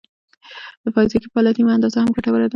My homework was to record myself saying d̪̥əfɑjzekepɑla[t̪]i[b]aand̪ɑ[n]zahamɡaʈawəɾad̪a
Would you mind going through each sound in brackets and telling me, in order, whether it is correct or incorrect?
correct, incorrect: m, incorrect: none

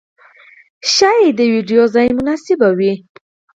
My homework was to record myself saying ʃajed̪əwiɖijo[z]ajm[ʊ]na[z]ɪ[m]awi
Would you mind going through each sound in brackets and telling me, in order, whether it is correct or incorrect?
correct, correct, incorrect: s, incorrect: b

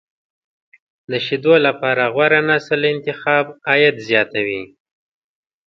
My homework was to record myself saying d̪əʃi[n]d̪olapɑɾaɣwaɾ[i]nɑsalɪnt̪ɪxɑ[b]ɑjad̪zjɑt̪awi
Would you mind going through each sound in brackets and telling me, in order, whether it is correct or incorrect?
incorrect: none, incorrect: a, correct

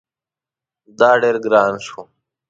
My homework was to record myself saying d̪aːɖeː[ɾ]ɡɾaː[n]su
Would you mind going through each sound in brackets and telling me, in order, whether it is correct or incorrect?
correct, correct

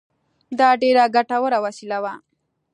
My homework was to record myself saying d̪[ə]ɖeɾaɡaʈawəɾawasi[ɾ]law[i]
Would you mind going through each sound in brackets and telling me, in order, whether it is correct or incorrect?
incorrect: ɑ, incorrect: none, incorrect: a

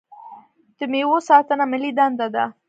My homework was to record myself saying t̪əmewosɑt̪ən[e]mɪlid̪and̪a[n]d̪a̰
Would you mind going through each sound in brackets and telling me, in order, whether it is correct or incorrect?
incorrect: a, incorrect: none

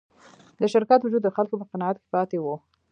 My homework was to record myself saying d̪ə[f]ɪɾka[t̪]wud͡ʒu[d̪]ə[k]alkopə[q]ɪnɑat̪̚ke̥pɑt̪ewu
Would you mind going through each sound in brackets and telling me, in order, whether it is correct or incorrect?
incorrect: ʃ, correct, incorrect: d̪ː, incorrect: x, correct

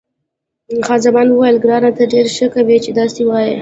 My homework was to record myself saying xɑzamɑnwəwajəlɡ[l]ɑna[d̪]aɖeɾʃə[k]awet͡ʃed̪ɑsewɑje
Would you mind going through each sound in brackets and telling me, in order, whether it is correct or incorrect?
incorrect: ɾ, incorrect: t̪, correct

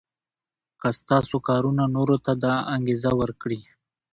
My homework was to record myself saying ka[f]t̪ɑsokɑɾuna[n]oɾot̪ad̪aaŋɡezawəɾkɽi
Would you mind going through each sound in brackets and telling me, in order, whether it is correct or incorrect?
incorrect: s, correct

